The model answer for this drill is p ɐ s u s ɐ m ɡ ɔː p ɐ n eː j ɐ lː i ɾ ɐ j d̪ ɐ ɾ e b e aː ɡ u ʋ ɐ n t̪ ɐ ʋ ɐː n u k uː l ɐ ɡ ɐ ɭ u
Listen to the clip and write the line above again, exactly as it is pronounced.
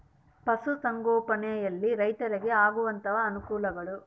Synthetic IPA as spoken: p ɐ s u s ɐ ŋ ɡ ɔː p ɐ n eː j ɐ lː i ɾ ɐ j t̪ ɐ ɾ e ɡ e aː ɡ u ʋ ɐ n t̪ ɐ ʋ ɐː n u k uː l ɐ ɡ ɐ ɭ u